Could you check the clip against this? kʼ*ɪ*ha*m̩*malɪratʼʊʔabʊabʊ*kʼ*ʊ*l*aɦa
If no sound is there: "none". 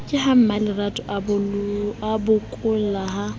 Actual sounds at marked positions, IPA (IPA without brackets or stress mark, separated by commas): ɪ, m̩, kʼ, l